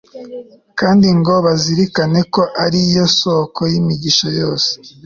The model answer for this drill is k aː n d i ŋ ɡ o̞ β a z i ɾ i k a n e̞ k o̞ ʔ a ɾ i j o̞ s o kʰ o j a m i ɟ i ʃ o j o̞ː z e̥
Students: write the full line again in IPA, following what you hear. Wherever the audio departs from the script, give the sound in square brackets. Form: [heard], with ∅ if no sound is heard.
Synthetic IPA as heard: k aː n d i ŋ ɡ o̞ β a z i ɾ i k a n e̞ k o̞ ʔ a ɾ i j o̞ s o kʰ o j [i] m i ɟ i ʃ o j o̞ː [s] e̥